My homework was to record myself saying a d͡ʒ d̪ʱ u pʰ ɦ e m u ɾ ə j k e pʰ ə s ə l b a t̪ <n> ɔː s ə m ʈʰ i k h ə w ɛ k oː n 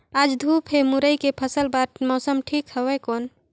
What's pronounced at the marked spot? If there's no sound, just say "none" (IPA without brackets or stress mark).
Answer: m